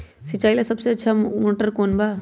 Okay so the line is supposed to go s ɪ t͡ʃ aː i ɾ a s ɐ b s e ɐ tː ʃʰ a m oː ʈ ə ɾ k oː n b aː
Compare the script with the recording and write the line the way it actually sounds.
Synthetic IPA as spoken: s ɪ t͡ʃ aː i l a s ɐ b s e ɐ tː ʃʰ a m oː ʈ ə ɾ k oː n b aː